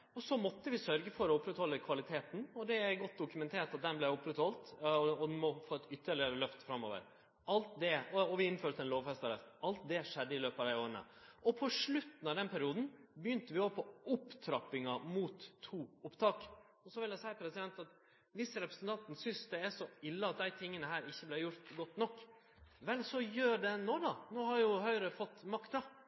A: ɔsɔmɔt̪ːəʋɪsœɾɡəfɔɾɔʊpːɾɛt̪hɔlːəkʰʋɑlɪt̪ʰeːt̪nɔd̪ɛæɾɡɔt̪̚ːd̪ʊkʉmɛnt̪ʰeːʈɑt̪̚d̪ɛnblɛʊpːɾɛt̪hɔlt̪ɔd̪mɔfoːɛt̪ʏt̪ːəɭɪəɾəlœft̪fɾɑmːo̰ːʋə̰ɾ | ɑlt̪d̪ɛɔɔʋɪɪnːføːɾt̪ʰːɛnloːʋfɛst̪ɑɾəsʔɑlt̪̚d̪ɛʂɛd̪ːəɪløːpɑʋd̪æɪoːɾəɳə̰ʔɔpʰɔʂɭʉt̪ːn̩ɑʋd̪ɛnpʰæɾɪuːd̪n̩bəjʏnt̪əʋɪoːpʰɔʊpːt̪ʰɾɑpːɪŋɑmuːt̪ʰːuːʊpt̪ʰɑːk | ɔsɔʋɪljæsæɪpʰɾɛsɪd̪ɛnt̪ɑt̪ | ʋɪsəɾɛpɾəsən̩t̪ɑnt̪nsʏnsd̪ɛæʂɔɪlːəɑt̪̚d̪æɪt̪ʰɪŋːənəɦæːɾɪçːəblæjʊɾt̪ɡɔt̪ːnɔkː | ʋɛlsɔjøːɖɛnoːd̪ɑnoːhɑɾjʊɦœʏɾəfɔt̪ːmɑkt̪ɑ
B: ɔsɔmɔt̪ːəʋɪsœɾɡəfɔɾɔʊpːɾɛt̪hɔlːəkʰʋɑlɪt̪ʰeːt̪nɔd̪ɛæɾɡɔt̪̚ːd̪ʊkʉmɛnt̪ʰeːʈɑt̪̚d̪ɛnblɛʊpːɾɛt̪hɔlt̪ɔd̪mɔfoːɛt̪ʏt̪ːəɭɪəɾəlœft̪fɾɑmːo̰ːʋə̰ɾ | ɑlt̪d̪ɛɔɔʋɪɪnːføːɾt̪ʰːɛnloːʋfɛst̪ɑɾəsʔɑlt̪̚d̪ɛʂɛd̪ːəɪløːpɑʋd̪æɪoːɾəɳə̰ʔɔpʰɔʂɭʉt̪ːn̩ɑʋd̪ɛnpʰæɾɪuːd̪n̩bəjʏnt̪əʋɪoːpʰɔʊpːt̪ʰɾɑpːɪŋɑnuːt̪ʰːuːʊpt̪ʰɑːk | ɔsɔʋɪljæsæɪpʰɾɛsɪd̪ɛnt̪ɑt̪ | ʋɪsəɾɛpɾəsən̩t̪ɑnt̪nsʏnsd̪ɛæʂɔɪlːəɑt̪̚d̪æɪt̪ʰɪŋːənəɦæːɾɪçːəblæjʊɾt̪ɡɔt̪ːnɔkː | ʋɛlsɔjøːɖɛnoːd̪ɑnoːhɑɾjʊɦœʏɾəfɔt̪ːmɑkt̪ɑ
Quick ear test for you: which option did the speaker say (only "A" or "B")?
A